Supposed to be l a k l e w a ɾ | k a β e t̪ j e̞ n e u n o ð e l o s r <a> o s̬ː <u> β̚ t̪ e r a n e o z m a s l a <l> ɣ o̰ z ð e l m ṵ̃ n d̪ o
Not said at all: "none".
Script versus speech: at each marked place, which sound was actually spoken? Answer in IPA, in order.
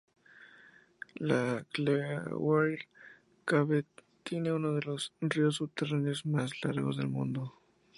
i, u, ɾ

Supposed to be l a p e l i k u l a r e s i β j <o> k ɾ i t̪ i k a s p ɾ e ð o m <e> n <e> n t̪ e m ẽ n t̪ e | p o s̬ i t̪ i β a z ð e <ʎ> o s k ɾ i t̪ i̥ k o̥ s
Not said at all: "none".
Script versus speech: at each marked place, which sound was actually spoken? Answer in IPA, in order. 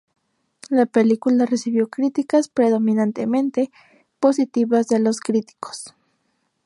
o, i, a, l

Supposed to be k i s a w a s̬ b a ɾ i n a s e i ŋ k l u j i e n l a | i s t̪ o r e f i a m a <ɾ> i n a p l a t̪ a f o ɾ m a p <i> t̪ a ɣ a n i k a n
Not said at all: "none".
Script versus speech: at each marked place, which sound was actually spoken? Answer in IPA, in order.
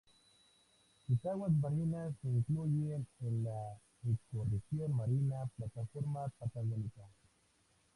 ɾ, a

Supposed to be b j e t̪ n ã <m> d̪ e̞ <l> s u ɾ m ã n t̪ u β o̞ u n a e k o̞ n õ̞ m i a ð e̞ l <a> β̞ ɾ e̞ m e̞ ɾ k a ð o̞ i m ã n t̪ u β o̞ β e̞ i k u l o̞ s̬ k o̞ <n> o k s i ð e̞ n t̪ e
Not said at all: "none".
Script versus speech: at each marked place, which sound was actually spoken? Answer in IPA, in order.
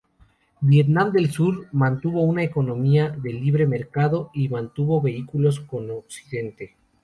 m, l, i, n

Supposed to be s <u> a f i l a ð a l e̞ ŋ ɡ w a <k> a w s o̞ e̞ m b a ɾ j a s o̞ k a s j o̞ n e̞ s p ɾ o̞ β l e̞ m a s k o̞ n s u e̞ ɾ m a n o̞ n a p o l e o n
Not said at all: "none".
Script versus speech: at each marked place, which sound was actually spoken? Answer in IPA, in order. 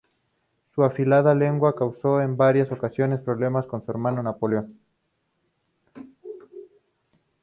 u, k

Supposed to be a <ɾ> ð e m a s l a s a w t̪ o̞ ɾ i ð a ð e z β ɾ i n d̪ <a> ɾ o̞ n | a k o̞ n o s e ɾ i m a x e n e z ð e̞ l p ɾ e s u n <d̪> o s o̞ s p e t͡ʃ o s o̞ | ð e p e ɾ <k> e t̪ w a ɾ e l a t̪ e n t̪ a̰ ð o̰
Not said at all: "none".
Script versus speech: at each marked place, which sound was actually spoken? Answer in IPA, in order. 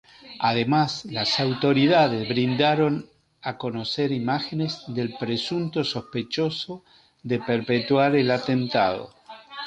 none, a, t̪, p

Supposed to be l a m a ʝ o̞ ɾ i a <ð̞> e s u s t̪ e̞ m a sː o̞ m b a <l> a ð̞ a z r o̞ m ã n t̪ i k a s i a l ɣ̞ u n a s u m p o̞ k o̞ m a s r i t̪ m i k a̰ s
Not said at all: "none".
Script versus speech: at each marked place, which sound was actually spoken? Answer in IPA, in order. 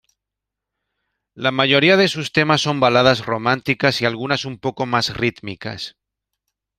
ð̞, l

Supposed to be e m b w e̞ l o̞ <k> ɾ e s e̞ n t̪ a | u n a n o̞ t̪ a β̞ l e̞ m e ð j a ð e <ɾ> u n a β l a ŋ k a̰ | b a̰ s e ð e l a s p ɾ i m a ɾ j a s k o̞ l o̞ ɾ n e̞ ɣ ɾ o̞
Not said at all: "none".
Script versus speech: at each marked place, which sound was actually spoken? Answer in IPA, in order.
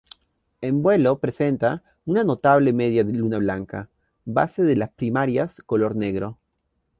p, l

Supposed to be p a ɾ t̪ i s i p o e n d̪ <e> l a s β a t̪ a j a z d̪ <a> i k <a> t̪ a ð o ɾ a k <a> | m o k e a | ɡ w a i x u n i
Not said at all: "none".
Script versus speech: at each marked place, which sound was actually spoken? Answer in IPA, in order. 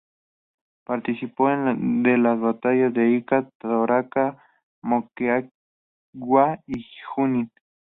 e, e, a, a

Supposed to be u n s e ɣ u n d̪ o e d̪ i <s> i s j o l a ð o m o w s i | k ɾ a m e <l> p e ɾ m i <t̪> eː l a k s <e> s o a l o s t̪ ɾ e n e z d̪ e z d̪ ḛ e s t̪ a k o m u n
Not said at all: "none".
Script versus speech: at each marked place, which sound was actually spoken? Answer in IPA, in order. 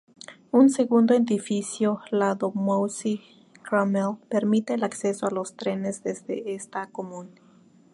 f, l, t̪, e

